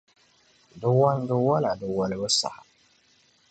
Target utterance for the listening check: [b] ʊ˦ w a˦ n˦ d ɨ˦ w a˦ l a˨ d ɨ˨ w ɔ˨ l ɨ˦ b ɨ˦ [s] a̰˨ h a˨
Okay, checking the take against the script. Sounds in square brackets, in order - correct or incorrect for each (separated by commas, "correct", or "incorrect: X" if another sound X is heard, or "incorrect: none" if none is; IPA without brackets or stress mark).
incorrect: d, correct